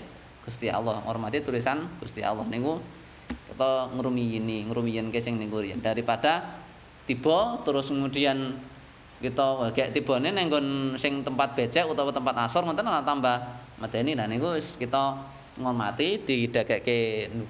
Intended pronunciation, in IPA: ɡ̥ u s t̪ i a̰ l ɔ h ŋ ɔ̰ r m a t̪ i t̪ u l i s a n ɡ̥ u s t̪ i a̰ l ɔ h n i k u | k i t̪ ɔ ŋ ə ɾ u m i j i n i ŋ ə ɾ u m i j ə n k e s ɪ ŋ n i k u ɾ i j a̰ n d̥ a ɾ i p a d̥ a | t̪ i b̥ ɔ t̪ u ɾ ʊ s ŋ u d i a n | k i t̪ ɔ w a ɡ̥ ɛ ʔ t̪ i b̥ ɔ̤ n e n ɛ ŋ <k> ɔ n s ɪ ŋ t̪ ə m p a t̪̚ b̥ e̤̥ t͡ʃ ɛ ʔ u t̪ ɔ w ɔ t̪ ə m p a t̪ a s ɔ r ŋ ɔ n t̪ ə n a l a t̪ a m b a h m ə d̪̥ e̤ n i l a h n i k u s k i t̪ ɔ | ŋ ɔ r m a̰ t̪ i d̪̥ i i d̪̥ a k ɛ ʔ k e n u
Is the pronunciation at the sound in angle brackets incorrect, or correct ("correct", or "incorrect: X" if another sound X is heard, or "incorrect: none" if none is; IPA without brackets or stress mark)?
incorrect: ɡ